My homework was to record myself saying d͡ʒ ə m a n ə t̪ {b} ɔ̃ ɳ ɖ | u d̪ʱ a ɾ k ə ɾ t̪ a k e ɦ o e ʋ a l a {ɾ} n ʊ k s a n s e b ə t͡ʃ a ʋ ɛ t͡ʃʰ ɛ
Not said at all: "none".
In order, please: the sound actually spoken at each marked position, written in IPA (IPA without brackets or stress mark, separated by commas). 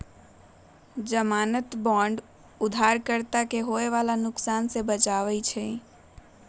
b, none